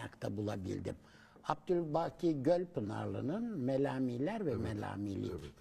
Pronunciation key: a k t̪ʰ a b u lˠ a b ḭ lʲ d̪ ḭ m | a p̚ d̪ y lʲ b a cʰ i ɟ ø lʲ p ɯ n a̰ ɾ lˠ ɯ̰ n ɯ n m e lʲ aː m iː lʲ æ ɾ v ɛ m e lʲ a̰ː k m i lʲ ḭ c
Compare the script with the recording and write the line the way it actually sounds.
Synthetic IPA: a k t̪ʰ a b u lˠ a b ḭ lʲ d̪ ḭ m | a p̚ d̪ y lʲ b a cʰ i ɟ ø lʲ p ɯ n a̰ ɾ lˠ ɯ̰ n ɯ n m e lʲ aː m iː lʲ æ ɾ v ɛ m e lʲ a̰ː m i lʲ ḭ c